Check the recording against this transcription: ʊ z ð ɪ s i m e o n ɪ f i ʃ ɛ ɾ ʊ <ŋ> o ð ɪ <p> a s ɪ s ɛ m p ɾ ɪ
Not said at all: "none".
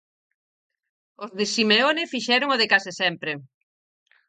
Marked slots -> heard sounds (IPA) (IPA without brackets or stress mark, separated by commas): ŋ, k